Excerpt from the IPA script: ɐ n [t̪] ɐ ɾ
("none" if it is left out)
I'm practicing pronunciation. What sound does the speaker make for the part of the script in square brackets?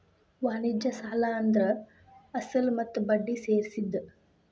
d̪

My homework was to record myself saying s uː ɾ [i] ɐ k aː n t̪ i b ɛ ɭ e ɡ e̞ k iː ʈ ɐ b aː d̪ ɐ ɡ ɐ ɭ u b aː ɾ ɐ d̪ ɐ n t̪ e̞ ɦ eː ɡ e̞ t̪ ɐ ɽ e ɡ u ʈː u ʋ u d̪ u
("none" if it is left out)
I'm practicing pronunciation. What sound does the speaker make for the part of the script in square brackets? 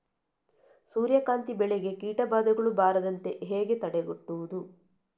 j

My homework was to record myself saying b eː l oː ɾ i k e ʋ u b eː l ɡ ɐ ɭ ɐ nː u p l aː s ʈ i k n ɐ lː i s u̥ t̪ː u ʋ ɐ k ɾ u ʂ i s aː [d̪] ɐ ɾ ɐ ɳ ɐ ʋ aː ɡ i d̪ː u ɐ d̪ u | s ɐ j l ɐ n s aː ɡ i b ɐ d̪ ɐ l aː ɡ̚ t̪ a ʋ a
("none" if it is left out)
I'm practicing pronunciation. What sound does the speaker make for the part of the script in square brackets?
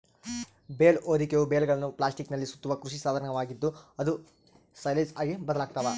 d̪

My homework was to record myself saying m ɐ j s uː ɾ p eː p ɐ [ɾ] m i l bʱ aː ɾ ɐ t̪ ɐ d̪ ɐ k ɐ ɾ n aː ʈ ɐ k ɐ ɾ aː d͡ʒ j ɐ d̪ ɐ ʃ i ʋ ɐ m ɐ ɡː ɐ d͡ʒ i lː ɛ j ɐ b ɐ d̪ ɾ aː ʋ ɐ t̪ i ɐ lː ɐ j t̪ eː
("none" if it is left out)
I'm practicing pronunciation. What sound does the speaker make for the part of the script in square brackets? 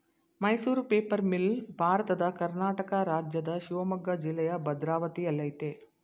ɾ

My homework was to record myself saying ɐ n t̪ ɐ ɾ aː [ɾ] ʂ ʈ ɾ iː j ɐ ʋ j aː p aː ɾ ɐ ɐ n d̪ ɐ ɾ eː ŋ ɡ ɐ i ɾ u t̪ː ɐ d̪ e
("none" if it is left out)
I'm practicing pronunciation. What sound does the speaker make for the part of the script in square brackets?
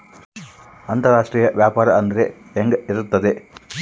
none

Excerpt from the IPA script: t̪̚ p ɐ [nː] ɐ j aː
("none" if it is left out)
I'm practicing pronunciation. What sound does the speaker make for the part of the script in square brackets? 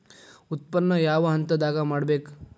nː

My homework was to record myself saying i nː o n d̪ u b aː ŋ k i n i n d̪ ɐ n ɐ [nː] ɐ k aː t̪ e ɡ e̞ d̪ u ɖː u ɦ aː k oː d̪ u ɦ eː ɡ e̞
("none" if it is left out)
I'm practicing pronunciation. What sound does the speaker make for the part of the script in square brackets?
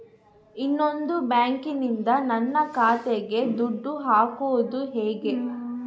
nː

